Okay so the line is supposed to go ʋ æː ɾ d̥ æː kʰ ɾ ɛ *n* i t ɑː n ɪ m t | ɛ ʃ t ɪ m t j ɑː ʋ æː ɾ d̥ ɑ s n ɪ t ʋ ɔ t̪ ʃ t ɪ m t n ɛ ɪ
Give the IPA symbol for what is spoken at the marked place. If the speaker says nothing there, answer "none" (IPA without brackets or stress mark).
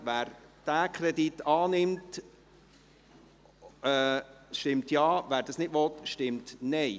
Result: d